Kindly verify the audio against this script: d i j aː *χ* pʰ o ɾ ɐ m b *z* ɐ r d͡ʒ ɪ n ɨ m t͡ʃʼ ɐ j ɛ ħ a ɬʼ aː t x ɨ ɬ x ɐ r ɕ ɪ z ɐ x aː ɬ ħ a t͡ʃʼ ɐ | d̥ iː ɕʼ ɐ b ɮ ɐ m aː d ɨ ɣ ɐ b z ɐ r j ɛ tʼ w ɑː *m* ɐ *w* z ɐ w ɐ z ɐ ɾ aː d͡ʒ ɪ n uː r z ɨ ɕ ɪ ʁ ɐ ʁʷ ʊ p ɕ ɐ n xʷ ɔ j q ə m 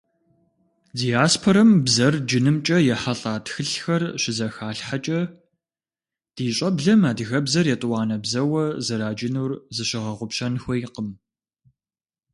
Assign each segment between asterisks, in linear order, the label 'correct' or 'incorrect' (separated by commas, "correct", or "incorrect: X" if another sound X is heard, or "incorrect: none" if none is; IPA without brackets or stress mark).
incorrect: s, correct, incorrect: n, incorrect: b